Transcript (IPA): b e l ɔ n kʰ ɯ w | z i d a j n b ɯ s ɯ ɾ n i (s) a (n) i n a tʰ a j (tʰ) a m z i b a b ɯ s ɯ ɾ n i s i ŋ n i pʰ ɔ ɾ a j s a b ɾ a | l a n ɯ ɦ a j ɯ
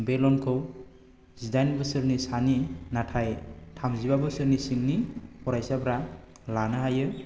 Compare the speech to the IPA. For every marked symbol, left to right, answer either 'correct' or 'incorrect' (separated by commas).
correct, correct, correct